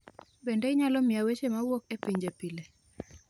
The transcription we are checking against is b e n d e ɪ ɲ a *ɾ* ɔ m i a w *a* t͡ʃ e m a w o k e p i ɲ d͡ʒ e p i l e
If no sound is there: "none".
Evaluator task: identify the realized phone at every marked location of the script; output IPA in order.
l, e

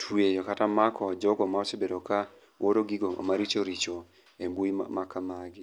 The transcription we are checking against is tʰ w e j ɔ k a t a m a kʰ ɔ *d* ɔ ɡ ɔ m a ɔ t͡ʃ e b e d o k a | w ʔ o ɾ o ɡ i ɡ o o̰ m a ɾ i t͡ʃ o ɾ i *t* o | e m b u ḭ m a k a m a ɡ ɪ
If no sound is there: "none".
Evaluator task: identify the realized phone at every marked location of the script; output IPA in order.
d͡ʒ, t͡ʃ

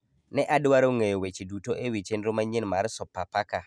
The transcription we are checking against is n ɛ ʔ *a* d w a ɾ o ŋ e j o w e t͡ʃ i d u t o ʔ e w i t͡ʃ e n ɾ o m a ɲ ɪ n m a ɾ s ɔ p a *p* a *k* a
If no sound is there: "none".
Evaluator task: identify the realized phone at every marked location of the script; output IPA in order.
a, p, k

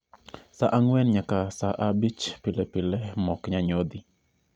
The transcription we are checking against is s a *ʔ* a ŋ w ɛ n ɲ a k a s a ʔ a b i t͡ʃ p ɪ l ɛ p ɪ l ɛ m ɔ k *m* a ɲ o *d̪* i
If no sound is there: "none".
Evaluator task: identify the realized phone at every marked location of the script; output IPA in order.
ʔ, ɲ, d̪

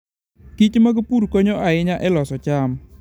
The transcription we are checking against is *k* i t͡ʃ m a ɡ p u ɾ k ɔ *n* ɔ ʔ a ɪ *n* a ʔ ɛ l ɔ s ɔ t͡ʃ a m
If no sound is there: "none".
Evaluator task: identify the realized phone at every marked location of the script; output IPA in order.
k, ɲ, ɲ

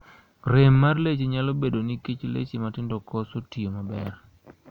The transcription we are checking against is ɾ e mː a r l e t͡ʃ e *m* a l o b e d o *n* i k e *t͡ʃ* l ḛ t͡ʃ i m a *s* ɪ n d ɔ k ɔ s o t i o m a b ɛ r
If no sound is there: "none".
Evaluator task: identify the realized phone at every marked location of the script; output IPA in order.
ɲ, n, t͡ʃ, t

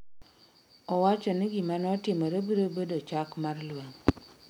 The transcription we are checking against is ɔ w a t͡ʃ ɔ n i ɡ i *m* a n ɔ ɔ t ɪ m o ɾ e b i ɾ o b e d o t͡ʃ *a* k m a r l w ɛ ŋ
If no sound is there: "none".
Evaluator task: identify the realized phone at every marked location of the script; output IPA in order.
m, a

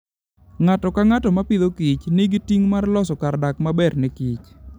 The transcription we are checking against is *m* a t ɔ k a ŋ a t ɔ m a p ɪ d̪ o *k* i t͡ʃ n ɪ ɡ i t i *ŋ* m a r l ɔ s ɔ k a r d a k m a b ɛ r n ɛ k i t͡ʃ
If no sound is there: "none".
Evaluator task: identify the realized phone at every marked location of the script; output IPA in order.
ŋ, k, ŋ

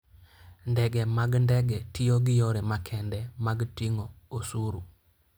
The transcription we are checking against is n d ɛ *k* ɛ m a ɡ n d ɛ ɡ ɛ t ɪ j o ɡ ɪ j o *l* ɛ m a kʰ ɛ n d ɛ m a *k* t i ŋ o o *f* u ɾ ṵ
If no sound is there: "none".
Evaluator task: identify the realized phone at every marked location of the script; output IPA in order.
ɡ, ɾ, ɡ, s

